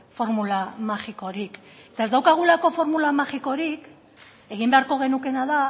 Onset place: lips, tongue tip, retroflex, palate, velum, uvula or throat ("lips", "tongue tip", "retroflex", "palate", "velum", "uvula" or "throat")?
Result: lips